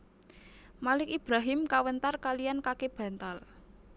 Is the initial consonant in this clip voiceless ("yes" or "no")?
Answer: no